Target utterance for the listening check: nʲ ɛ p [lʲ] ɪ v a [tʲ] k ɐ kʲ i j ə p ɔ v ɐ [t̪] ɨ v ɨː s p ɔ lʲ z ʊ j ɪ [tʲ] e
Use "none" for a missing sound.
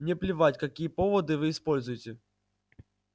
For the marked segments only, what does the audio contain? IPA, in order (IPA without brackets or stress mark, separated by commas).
lʲ, tʲ, d̪, tʲ